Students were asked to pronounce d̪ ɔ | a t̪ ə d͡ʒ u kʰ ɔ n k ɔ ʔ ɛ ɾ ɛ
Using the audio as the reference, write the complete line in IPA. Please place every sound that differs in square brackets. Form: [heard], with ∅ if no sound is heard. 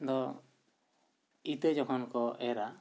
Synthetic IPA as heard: d̪ ɔ | [i] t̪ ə d͡ʒ [ɔ] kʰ ɔ n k ɔ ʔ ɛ ɾ [a]